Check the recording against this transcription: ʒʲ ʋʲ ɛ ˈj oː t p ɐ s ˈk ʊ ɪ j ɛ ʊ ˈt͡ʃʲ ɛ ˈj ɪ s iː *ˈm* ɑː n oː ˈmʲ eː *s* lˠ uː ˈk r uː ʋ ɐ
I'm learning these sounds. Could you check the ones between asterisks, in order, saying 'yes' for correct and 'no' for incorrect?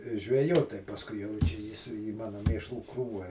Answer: yes, no

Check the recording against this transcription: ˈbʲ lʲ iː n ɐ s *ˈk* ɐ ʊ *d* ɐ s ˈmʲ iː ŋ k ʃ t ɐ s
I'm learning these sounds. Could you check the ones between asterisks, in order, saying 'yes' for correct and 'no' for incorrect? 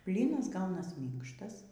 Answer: no, no

